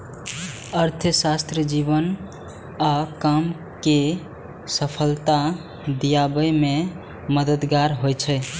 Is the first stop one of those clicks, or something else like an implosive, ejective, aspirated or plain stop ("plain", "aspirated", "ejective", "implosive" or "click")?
aspirated